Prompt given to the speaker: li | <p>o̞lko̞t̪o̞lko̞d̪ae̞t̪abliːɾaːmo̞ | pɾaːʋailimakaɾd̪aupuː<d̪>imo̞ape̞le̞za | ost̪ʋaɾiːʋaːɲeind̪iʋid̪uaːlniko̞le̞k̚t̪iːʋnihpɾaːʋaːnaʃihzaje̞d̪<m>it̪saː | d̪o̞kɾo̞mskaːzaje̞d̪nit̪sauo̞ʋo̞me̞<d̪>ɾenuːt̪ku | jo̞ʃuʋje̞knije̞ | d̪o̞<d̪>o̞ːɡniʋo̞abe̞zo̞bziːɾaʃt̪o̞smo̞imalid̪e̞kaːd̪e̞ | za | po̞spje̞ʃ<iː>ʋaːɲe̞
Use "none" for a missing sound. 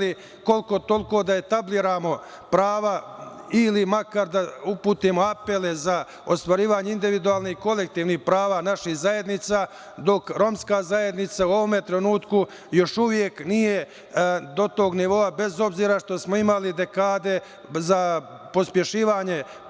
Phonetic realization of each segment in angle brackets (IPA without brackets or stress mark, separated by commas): k, t̪, n, t̪, t̪, iː